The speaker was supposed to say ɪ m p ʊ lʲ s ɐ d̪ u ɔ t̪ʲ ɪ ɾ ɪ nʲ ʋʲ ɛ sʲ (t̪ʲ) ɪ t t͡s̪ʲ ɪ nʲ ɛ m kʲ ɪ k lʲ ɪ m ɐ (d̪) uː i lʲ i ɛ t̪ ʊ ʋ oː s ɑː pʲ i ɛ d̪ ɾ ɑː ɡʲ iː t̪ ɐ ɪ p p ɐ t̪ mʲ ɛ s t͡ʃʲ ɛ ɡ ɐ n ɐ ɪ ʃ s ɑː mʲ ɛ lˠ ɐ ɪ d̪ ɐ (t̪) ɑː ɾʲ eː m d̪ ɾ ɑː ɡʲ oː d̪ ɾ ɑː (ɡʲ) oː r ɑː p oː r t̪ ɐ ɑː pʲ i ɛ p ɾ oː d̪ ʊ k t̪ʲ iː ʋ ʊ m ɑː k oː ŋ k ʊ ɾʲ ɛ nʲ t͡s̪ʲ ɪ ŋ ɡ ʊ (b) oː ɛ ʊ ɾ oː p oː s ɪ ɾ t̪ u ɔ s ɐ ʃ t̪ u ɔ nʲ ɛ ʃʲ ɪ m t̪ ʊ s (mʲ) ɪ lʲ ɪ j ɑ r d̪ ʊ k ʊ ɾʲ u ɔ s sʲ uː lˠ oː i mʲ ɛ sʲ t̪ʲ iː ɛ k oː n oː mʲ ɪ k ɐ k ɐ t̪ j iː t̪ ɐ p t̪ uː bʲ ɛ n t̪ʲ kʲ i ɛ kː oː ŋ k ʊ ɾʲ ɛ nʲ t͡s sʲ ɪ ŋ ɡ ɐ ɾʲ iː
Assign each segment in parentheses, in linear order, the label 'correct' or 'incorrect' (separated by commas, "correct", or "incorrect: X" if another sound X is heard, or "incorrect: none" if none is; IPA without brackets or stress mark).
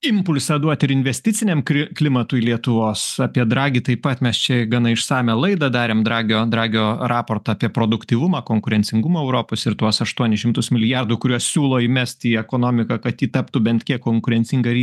correct, incorrect: t̪, incorrect: d̪, correct, incorrect: m, correct